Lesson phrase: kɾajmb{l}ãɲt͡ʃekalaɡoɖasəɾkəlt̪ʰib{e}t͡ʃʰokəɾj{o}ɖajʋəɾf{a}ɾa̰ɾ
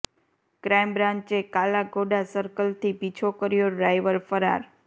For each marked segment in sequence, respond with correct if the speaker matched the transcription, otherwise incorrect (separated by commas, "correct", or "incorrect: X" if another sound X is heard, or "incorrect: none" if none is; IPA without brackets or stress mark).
incorrect: ɾ, incorrect: i, correct, incorrect: ə